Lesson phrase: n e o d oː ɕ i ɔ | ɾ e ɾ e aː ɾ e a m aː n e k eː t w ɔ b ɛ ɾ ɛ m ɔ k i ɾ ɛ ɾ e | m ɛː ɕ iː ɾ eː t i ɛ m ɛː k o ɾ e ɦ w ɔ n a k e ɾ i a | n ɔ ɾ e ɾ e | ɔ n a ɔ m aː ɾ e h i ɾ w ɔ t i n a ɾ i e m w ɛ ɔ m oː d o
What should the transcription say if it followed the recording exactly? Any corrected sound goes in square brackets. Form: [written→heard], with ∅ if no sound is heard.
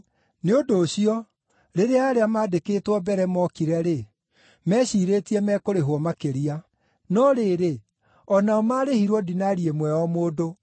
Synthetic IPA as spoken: n e o d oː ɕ i ɔ | ɾ e ɾ e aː ɾ e a m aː [n→d] e k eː t w ɔ b ɛ ɾ ɛ m ɔ k i ɾ ɛ ɾ e | m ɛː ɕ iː ɾ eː t i ɛ m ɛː k o ɾ e ɦ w ɔ [n→m] a k e ɾ i a | n ɔ ɾ e ɾ e | ɔ n a ɔ m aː ɾ e h i ɾ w ɔ [t→d] i n a ɾ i e m w ɛ ɔ m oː d o